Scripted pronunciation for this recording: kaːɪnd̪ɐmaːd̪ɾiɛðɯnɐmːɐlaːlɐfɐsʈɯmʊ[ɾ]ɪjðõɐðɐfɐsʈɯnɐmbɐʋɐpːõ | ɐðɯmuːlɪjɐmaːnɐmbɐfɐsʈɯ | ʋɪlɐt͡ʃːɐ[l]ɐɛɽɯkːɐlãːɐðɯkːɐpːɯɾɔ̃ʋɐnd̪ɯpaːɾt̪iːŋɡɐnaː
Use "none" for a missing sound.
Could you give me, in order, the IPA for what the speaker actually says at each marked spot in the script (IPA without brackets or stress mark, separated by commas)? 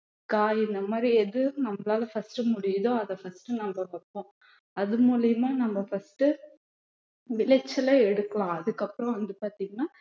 ɽ, l